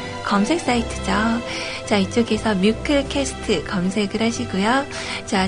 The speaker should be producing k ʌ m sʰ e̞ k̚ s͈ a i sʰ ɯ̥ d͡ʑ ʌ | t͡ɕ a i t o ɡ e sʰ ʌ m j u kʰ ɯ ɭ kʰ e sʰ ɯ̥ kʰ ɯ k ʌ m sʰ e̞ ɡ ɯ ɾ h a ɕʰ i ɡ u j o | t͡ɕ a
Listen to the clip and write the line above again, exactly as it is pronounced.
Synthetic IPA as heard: k ʌ m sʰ e̞ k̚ s͈ a i tʰ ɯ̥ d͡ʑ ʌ | t͡ɕ a i t͡ɕ͈ o ɡ e sʰ ʌ m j u kʰ ɯ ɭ kʰ e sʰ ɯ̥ tʰ ɯ k ʌ m sʰ e̞ ɡ ɯ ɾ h a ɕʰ i ɡ u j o | t͡ɕ a